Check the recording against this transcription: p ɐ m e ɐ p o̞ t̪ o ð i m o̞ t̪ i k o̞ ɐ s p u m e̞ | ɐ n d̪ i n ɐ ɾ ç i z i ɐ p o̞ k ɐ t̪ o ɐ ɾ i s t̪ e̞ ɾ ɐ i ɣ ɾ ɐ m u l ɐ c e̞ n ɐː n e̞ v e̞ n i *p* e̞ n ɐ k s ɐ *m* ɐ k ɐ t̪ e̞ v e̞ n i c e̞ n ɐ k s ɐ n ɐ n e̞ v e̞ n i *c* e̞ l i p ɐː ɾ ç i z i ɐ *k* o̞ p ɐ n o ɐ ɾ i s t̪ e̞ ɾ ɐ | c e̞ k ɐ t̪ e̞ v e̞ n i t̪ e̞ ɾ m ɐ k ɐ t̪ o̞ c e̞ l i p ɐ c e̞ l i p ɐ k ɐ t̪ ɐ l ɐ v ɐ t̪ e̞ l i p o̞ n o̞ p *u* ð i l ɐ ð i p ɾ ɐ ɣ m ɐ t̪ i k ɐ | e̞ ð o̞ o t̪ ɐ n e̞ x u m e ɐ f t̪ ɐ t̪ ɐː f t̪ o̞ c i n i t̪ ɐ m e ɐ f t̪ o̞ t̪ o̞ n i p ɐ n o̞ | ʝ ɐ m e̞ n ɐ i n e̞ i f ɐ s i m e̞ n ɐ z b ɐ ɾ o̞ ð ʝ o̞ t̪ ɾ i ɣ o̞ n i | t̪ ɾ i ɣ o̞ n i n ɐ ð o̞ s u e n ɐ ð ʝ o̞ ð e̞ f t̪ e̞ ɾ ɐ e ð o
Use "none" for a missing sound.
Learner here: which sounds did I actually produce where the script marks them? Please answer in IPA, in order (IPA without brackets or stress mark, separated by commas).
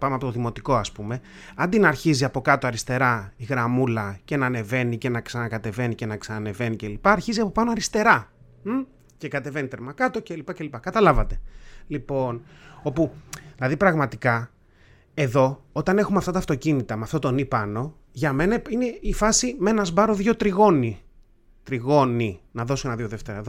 c, n, c, p, u